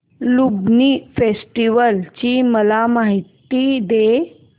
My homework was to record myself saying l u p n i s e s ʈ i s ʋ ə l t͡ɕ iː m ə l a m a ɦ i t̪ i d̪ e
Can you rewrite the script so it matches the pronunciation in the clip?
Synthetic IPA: l u b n i f e s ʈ i ʋ ə l t͡ɕ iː m ə l a m a ɦ i t̪ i d̪ e